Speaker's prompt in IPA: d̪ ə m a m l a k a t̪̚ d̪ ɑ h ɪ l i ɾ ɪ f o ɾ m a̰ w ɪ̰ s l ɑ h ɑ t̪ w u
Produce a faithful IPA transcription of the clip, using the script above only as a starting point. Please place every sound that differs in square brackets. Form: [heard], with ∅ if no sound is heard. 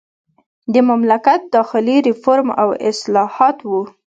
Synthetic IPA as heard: d̪ ə m a m l a k a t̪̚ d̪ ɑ [x] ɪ l i ɾ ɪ f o ɾ m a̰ w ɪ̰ s l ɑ h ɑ t̪ w u